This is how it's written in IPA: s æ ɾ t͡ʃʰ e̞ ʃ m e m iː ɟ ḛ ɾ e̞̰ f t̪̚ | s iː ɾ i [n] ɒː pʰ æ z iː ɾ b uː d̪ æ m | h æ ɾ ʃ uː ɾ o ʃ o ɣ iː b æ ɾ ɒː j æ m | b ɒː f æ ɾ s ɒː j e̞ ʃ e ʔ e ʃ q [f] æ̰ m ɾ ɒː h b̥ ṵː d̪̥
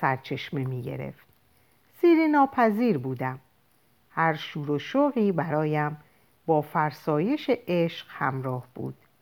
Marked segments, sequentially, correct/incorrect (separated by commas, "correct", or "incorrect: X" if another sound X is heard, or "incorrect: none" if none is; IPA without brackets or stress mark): correct, incorrect: h